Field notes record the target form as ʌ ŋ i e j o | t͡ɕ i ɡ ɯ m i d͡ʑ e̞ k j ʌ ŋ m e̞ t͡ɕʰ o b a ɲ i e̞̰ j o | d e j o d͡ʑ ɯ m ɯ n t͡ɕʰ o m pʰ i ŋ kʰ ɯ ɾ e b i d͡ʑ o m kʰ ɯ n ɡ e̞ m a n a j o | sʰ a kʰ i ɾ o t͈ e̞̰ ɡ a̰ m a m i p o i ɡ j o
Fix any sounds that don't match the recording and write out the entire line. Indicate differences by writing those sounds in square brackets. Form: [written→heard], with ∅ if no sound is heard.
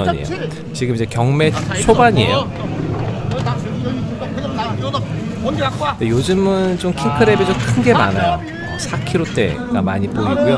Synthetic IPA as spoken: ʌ [ŋ→ɲ] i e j o | t͡ɕ i ɡ ɯ m i d͡ʑ e̞ k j ʌ ŋ m e̞ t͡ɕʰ o b a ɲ i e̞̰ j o | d e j o d͡ʑ ɯ m ɯ n [t͡ɕʰ→t͡ɕ] o m [pʰ→kʰ] i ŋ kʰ ɯ ɾ e b i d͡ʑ o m kʰ ɯ n ɡ e̞ m a n a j o | sʰ a kʰ i ɾ o t͈ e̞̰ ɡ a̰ m a [m→ɲ] i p o i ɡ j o